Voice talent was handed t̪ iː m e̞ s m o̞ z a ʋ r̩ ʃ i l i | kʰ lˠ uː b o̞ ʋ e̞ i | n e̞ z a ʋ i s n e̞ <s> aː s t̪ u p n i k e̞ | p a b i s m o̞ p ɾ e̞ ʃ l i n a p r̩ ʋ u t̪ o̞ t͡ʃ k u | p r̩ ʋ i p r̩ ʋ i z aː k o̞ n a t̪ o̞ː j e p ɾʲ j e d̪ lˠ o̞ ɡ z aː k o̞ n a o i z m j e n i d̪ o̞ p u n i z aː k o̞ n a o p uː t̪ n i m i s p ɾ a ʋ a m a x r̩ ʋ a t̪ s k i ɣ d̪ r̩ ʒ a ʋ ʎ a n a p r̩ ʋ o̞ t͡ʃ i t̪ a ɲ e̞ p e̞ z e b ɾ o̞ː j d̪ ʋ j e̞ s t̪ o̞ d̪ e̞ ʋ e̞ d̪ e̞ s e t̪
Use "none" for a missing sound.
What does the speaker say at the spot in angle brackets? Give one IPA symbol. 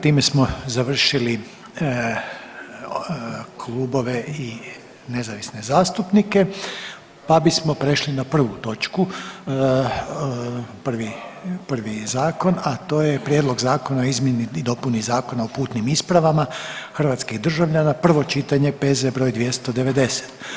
z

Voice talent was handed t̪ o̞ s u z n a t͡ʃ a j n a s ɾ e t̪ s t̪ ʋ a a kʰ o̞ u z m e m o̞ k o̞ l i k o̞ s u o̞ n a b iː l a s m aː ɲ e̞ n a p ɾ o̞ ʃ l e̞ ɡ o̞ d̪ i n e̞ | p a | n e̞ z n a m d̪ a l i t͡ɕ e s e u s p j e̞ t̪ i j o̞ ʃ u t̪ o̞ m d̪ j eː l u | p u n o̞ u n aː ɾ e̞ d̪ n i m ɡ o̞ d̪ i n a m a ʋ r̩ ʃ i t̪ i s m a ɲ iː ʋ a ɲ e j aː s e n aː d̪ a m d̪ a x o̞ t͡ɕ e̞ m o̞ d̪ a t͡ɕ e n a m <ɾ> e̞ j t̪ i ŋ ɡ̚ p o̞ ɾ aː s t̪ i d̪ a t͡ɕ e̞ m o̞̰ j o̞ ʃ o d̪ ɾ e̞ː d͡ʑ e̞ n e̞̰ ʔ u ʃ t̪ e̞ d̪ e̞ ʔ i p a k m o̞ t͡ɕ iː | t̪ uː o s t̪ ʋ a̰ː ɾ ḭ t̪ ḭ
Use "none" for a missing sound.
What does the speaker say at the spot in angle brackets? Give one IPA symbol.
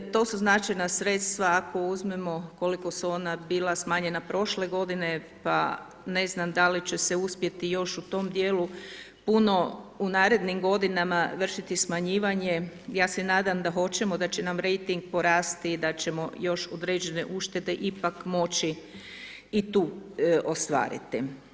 ɾ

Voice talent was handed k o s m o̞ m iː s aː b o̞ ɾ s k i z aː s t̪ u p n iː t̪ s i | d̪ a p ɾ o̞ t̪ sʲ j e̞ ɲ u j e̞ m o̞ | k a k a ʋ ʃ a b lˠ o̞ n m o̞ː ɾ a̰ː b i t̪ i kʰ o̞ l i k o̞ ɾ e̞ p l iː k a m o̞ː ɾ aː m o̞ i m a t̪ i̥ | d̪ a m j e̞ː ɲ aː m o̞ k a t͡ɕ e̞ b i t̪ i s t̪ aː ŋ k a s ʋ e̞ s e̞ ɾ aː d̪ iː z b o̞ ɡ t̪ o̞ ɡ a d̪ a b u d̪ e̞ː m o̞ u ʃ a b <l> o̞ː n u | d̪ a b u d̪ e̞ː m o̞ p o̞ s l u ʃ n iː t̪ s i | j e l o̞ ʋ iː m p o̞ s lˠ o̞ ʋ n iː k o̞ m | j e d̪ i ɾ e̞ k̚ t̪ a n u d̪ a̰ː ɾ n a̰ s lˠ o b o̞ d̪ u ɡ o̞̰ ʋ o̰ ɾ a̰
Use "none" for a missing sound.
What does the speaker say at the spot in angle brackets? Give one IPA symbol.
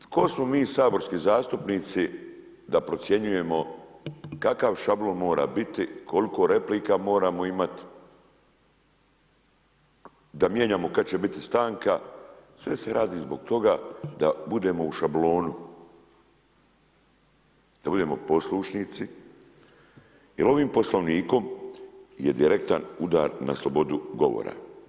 l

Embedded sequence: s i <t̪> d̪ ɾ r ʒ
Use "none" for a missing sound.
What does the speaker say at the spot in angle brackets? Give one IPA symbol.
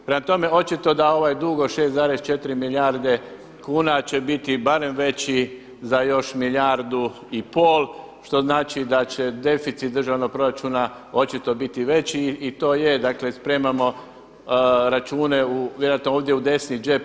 t̪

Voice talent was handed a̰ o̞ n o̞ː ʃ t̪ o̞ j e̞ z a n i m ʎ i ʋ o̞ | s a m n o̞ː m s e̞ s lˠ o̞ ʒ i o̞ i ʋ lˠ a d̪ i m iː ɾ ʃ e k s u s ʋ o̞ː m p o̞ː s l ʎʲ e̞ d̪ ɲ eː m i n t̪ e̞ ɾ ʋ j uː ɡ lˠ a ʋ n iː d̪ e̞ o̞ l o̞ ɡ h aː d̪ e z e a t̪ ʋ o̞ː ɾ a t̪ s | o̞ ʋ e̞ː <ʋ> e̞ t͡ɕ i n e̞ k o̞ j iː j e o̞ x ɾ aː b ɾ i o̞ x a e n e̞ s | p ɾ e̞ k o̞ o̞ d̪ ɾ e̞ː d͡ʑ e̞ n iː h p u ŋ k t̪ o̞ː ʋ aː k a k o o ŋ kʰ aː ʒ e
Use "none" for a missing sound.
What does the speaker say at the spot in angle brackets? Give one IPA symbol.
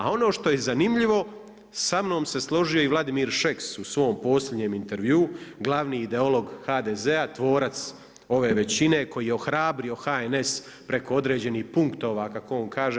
ʋ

